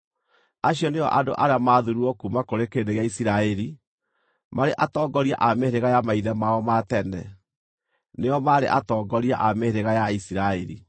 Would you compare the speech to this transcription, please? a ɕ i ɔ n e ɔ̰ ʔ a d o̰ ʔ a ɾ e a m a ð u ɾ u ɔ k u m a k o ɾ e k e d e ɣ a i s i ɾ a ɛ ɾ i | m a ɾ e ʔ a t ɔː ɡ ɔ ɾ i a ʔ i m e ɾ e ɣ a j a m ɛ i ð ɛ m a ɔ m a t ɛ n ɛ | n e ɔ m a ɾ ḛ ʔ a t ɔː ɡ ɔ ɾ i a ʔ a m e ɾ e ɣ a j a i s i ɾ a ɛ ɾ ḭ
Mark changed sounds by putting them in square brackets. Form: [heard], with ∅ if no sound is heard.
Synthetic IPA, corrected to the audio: a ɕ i ɔ n e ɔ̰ ʔ a d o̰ ʔ a ɾ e a m a ð u ɾ u ɔ k u m a k o ɾ e k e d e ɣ a i s i ɾ a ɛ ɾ i | m a ɾ e ʔ a t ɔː ɡ ɔ ɾ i a ʔ [a] m e ɾ e ɣ a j a m [a] i ð ɛ m a ɔ m a t ɛ n ɛ | n e ɔ m a ɾ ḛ ʔ a t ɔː ɡ ɔ ɾ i a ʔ a m e ɾ e ɣ a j a i s i ɾ a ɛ ɾ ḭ